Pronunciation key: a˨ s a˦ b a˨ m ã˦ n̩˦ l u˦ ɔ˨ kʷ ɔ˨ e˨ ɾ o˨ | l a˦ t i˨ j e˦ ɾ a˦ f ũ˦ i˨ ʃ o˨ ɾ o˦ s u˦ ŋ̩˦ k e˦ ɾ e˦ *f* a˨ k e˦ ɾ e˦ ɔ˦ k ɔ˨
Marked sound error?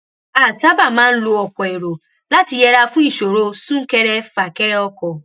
no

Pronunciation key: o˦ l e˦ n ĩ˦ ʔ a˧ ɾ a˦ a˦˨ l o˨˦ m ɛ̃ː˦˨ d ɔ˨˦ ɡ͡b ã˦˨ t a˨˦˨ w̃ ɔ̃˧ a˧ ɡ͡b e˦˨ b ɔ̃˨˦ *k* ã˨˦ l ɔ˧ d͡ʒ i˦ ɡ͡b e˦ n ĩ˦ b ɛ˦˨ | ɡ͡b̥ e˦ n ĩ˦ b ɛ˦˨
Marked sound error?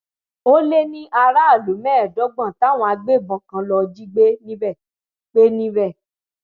no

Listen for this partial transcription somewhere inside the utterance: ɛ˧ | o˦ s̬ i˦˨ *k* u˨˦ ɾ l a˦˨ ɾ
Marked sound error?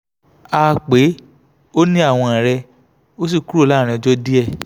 no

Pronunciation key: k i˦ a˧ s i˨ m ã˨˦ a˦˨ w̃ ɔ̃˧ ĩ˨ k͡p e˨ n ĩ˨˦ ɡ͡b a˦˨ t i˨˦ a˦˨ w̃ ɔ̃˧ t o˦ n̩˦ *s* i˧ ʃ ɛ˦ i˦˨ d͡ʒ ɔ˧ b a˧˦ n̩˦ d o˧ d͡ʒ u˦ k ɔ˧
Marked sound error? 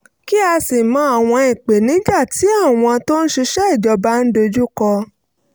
yes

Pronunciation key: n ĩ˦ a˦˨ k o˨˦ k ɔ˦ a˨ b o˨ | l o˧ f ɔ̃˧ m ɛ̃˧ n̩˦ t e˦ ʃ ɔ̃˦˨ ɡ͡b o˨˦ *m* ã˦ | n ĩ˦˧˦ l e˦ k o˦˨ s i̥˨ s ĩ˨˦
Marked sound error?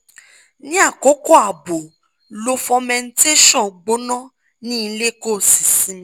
yes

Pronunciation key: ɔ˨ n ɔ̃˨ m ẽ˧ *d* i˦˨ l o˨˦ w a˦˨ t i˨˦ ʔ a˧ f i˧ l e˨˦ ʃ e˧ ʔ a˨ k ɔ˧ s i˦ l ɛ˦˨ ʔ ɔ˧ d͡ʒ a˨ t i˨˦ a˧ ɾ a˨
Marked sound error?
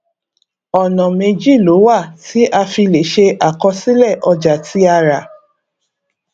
yes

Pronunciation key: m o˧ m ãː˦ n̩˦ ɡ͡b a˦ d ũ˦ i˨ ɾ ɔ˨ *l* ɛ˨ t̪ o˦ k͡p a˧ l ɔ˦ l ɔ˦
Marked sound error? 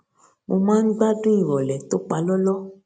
no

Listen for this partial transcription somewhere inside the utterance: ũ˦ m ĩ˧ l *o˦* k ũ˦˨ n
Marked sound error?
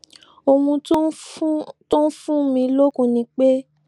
no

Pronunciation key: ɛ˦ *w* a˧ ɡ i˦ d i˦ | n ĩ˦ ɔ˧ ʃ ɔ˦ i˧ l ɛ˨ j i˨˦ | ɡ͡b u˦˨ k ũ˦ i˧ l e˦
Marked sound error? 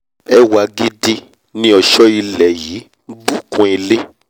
no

